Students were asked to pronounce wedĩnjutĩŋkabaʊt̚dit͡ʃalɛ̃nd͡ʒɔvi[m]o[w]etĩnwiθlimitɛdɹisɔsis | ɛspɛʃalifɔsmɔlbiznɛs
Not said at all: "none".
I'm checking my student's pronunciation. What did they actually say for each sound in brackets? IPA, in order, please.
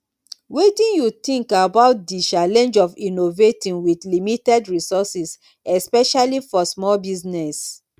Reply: n, v

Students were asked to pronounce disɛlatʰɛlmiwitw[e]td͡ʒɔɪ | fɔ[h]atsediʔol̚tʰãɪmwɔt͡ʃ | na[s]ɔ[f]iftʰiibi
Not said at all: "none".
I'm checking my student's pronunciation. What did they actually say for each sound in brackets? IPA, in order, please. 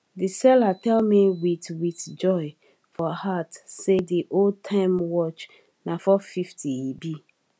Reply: i, h, f, f

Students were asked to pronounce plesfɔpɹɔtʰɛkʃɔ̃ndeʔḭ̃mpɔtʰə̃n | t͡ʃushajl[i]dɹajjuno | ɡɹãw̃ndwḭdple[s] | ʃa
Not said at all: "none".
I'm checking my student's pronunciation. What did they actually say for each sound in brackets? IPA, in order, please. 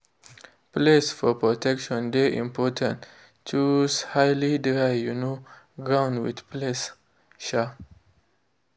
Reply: i, s

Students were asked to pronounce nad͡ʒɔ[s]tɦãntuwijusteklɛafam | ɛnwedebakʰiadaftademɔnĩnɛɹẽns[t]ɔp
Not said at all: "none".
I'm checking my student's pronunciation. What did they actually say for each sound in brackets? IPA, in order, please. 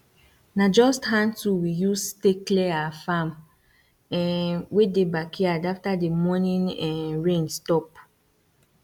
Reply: s, t

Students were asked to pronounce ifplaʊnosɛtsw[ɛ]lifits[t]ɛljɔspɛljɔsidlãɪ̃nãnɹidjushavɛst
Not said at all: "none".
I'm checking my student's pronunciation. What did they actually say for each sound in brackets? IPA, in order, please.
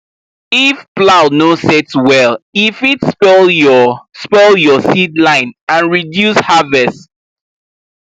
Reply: ɛ, p

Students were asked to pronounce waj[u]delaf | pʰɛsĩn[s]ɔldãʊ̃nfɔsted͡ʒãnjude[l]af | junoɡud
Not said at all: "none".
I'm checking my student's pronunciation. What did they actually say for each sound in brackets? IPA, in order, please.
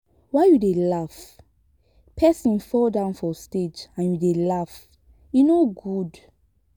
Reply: u, f, l

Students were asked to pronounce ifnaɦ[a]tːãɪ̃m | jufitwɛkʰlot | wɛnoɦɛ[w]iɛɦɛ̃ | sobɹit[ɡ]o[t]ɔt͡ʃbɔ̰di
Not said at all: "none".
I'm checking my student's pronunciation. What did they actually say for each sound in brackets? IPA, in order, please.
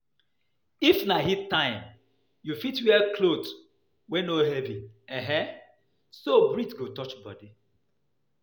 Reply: i, v, ɡ, t

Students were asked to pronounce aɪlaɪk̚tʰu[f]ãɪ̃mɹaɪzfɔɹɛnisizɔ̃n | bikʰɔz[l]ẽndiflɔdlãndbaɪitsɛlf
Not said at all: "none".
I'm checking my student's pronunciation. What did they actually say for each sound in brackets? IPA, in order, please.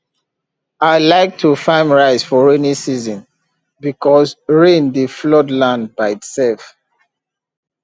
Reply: f, ɹ

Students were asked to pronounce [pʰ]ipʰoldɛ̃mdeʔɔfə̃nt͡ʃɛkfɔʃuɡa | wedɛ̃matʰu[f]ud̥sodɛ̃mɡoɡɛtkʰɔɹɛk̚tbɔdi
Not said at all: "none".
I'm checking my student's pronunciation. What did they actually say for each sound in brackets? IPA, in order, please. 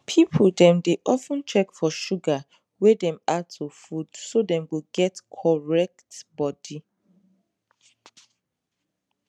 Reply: pʰ, f

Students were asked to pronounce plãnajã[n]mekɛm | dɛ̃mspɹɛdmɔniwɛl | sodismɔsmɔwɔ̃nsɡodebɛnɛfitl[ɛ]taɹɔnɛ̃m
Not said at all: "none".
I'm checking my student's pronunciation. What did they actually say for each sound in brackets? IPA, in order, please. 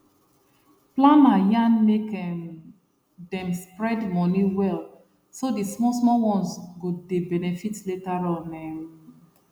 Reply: n, e

